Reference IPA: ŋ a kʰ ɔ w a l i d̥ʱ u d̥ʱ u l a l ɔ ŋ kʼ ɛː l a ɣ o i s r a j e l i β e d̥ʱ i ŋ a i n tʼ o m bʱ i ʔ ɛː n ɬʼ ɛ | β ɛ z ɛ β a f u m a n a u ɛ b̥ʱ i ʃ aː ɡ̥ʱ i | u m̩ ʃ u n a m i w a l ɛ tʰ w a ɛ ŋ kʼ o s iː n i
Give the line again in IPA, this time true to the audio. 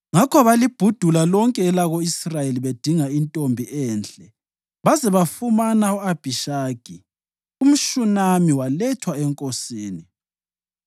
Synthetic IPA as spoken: ŋ a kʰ ɔ β a l i b̥ʱ u d̥ʱ u l a l ɔ ŋ kʼ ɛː l a ɣ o i s r a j e l i β e d̥ʱ i ŋ a i n tʼ o m bʱ i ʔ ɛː n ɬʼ ɛ | β a z ɛ β a f u m a n a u a b̥ʱ i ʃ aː ɡ̥ʱ i | u m̩ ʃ u n a m i w a l ɛ tʰ w a ɛ ŋ kʼ o s iː n i